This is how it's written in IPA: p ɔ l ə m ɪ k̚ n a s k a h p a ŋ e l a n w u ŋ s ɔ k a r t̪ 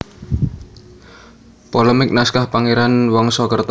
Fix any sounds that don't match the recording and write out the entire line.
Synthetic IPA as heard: p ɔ l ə m ɪ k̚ n a s k a h p a ŋ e ɾ a n w ɔ ŋ s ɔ k ə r t̪